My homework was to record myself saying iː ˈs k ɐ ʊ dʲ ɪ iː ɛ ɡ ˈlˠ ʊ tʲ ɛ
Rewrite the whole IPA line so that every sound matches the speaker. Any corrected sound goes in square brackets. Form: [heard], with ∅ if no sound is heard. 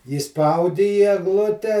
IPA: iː ˈs [p] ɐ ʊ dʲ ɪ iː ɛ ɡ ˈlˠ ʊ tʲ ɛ

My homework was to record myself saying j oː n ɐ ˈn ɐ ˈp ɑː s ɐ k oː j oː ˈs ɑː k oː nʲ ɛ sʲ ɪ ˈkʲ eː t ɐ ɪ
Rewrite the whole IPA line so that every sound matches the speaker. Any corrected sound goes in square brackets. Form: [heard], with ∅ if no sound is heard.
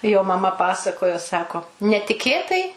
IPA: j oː [m] ɐ [ˈm] ɐ ˈp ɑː s ɐ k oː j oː ˈs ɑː k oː nʲ ɛ [tʲ] ɪ ˈkʲ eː t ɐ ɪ

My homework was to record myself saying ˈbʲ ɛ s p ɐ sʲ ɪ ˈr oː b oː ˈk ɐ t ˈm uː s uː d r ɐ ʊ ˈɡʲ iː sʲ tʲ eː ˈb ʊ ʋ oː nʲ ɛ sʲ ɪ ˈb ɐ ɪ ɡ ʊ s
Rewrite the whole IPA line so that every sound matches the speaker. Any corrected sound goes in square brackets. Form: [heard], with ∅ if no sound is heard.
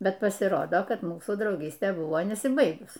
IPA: ˈbʲ ɛ [t] p ɐ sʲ ɪ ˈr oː [d] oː ˈk ɐ t ˈm uː s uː d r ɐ ʊ ˈɡʲ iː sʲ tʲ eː ˈb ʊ ʋ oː nʲ ɛ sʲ ɪ ˈb ɐ ɪ ɡ ʊ s

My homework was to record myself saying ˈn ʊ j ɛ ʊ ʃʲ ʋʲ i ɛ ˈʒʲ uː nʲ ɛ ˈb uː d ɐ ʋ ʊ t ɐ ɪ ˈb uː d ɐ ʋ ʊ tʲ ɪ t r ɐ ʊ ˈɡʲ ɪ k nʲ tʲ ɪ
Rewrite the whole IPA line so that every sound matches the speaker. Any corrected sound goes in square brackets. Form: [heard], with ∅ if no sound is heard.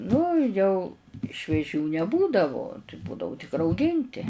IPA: ˈn ʊ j ɛ ʊ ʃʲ ʋʲ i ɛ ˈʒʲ uː nʲ ɛ ˈb uː d ɐ ʋ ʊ t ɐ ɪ ˈb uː d ɐ ʋ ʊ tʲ ɪ [k] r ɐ ʊ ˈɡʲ ɪ [∅] nʲ tʲ ɪ

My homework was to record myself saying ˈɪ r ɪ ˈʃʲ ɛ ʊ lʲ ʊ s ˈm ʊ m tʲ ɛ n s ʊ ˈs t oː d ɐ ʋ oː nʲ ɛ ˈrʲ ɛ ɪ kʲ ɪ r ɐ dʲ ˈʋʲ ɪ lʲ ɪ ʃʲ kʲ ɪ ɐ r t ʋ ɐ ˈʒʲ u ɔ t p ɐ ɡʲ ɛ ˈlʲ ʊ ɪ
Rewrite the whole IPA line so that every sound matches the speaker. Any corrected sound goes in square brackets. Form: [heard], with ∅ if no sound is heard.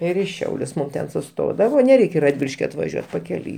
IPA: ˈɪ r ɪ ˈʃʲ ɛ ʊ lʲ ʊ s ˈm ʊ m tʲ ɛ n s ʊ ˈs t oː d ɐ ʋ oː nʲ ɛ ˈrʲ ɛ ɪ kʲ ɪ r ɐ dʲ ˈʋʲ ɪ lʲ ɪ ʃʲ kʲ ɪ ɐ [∅] t ʋ ɐ ˈʒʲ u ɔ t p ɐ [kʲ] ɛ ˈlʲ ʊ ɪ

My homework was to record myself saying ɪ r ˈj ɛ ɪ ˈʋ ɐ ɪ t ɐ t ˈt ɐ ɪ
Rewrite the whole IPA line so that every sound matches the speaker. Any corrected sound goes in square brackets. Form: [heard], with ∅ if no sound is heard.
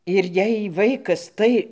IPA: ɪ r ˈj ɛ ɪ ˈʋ ɐ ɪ [k] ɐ [s] ˈt ɐ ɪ

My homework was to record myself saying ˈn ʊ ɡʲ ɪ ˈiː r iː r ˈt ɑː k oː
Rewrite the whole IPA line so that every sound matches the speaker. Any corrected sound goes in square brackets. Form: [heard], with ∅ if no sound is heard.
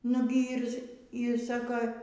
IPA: ˈn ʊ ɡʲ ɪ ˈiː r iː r [ˈs] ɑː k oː

